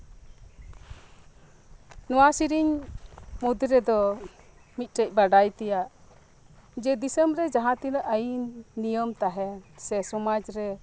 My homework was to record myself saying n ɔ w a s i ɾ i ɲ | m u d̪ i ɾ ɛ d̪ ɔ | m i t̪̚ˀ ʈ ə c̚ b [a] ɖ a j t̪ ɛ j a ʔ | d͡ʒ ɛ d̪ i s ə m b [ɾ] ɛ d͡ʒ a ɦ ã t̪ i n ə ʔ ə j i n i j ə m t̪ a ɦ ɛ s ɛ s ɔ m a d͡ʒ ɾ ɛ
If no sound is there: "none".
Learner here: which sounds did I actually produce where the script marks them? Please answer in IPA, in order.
a, ɾ

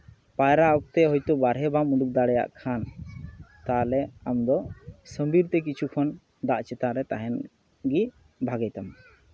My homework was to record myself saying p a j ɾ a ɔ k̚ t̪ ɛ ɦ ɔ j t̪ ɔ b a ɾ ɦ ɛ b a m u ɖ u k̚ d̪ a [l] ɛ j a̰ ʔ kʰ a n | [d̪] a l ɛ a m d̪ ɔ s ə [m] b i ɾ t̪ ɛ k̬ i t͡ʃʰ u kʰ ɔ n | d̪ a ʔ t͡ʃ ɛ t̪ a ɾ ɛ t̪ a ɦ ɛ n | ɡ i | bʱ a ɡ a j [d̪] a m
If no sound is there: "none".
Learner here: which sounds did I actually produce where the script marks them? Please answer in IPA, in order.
ɽ, t̪, m, t̪

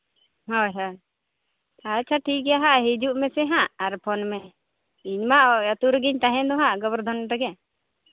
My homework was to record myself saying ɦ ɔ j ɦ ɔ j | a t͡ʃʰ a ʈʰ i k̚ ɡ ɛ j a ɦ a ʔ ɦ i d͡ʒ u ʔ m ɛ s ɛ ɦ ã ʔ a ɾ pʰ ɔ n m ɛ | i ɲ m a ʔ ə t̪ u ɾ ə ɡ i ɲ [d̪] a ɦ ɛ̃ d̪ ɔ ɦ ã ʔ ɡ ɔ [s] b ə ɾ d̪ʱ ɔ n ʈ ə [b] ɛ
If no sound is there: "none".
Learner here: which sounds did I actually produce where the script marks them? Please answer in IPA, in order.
t̪, none, ɡ

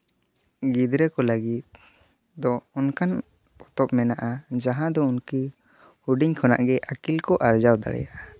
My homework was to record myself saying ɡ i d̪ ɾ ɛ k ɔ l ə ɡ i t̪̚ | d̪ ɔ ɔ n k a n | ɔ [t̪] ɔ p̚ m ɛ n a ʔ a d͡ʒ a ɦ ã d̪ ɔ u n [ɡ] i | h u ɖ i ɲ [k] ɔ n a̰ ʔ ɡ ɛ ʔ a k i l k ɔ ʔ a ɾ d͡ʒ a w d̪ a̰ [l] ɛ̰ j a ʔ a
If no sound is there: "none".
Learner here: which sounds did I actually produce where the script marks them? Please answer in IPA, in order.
t̪, k, kʰ, ɽ

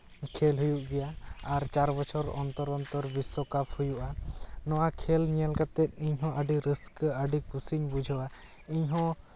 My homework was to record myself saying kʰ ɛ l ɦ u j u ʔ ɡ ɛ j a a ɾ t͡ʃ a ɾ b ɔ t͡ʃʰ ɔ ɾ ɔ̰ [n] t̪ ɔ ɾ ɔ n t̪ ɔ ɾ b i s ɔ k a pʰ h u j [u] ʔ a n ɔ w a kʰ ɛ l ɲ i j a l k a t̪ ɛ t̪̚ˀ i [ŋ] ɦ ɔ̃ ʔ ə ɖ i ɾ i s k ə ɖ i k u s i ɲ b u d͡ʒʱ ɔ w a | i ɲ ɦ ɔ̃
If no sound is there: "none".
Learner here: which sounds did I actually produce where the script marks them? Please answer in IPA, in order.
n, u, ɲ

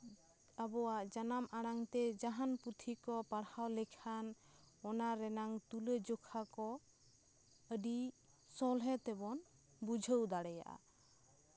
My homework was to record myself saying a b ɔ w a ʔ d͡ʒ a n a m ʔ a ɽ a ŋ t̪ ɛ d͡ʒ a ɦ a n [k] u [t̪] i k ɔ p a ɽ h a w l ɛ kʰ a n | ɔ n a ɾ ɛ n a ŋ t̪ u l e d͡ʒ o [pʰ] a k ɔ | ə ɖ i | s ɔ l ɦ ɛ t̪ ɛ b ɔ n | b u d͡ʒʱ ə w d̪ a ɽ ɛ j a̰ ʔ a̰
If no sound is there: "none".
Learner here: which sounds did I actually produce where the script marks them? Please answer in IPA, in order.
p, t̪ʰ, kʰ

